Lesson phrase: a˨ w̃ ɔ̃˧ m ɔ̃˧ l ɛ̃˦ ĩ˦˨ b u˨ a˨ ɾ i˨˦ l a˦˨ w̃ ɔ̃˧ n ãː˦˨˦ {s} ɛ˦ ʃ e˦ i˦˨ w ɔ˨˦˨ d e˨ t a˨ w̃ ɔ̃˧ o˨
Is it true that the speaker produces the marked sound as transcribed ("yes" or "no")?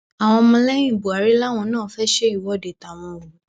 no